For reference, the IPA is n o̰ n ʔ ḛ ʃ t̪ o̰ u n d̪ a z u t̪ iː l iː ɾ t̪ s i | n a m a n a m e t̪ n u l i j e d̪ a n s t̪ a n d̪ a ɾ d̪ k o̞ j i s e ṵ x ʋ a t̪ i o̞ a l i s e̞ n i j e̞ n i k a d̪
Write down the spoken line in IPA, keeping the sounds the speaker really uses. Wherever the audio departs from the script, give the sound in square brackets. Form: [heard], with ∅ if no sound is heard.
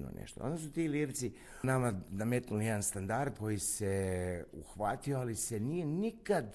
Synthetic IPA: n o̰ n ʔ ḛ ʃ t̪ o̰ [o] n d̪ a [s] u t̪ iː l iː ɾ t̪ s i | n a m a n a m e t̪ n u l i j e d̪ a n s t̪ a n d̪ a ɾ d̪ k o̞ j i s e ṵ x ʋ a t̪ i o̞ a l i s e̞ n i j e̞ n i k a d̪